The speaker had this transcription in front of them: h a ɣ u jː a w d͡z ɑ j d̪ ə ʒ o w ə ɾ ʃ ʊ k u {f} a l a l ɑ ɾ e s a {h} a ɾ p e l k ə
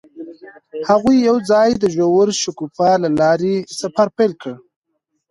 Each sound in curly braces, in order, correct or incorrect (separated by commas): correct, incorrect